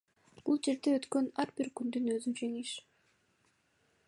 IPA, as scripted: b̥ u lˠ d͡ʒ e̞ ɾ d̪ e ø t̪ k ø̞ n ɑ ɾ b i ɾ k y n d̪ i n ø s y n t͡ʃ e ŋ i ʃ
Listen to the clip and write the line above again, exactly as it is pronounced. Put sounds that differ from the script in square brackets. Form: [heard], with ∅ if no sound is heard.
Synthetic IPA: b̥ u lˠ d͡ʒ e̞ ɾ d̪ e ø t̪ k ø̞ n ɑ ɾ b i ɾ k y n d̪ [y] n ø [z] y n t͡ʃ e ŋ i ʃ